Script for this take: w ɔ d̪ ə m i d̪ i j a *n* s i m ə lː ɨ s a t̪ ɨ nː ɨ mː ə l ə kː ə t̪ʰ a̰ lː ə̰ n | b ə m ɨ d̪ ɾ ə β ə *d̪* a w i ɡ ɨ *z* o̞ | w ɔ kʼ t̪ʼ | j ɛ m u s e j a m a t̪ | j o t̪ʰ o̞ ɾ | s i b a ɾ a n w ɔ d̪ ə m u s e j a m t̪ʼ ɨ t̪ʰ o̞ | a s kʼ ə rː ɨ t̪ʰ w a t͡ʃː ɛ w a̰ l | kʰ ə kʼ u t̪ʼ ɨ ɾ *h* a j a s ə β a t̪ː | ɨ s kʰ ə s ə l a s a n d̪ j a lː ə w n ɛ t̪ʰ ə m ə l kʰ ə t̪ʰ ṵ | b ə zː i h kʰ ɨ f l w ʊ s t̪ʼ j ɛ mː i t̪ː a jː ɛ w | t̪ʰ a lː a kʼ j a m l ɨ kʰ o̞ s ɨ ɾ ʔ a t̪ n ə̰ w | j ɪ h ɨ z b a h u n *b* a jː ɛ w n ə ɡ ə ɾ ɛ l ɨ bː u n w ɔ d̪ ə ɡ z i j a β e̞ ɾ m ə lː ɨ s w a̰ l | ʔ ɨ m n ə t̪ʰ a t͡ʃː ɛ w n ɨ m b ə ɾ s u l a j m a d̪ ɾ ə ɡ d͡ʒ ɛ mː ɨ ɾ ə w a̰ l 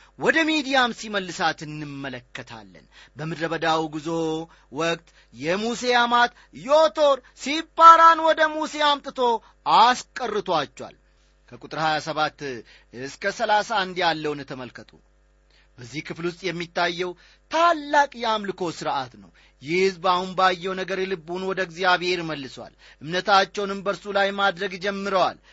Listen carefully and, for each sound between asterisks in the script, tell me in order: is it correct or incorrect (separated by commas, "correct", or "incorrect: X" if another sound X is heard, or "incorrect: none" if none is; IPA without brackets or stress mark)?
incorrect: m, correct, correct, correct, correct